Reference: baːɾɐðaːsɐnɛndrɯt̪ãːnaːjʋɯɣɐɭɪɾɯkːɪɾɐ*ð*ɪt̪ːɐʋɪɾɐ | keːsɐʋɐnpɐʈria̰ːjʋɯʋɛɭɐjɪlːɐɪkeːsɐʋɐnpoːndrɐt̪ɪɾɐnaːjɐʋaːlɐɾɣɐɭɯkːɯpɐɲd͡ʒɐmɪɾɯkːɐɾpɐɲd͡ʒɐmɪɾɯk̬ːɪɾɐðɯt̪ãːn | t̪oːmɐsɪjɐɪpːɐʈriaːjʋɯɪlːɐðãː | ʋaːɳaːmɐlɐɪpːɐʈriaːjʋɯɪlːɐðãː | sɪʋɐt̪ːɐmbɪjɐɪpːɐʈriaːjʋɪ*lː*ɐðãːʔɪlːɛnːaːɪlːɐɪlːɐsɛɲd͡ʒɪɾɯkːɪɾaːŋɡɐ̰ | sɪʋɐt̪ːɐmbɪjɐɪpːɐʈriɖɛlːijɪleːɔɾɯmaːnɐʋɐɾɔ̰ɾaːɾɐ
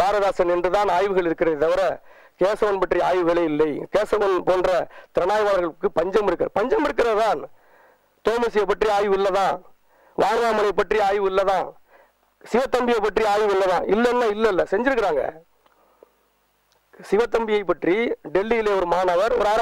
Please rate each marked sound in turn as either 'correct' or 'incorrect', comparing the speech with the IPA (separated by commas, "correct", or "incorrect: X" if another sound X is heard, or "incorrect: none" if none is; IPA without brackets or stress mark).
correct, correct